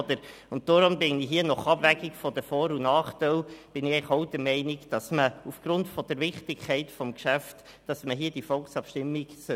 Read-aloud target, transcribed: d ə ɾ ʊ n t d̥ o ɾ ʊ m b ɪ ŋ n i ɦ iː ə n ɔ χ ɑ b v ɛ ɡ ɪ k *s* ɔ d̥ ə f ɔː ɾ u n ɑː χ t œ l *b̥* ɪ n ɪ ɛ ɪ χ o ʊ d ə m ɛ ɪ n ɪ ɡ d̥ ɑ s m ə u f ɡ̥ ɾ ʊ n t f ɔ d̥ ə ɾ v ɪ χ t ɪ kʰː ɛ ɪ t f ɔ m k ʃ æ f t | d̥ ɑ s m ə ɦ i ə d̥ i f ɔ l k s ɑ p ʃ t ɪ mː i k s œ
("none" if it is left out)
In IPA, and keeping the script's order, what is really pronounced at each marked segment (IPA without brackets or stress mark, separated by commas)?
f, b̥